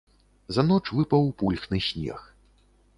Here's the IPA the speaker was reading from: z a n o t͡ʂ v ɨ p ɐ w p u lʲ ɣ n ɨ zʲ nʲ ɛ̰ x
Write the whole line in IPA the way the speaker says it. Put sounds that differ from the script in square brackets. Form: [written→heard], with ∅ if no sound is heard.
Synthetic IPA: z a n [o→ɔ] t͡ʂ v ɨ p ɐ w p u lʲ [ɣ→x] n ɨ [zʲ→sʲ] nʲ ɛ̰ x

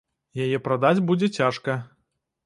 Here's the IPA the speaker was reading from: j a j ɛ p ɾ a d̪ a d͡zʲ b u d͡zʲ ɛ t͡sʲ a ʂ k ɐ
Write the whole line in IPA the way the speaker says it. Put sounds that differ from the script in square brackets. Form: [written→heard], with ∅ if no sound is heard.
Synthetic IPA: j a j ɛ p ɾ a d̪ a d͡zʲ b u d͡zʲ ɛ t͡sʲ a ʂ k ɐ

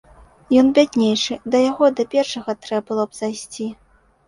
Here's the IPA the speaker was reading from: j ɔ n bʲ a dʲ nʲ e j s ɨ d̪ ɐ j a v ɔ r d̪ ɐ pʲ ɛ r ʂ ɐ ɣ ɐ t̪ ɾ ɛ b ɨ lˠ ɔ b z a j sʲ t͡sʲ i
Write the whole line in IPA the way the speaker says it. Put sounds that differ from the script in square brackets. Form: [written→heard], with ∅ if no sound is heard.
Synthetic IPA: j ɔ n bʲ a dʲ nʲ e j [s→ʂ] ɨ d̪ ɐ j a [v→ɣ] ɔ [r→∅] d̪ ɐ pʲ ɛ r ʂ ɐ ɣ ɐ t̪ ɾ ɛ b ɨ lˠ ɔ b z a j sʲ t͡sʲ i

